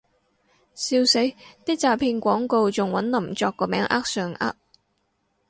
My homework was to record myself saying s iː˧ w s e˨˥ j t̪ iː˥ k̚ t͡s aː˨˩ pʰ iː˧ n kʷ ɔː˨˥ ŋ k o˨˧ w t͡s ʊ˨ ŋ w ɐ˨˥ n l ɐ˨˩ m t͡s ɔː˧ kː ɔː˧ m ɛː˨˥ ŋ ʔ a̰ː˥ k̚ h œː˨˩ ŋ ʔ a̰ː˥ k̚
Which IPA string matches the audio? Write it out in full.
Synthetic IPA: s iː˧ w s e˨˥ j t̪ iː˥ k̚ t͡s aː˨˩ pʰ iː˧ n kʷ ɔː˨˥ ŋ k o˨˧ w t͡s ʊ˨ ŋ w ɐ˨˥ n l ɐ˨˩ m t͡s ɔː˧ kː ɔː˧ m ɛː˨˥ ŋ ʔ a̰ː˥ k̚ s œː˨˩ ŋ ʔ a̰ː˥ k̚